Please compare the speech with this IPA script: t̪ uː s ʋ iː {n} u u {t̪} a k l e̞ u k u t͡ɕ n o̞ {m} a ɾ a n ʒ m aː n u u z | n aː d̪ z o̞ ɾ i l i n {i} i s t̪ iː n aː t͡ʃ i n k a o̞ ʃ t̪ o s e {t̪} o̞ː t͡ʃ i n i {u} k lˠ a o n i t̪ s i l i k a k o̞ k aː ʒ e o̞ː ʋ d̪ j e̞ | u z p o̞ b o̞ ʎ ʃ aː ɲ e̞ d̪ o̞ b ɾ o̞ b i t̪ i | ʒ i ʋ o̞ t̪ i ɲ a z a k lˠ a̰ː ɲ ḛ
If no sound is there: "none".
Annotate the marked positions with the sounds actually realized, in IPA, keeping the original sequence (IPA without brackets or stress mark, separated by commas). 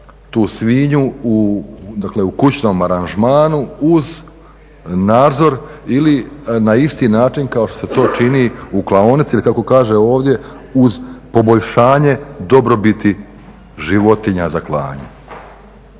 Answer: ɲ, d̪, m, a, t̪, u